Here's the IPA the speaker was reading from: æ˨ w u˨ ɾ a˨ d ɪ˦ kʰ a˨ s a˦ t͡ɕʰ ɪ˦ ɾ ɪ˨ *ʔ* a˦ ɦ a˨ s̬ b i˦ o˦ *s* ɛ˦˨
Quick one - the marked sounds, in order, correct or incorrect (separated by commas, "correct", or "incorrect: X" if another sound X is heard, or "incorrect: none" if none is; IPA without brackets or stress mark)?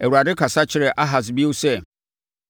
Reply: correct, correct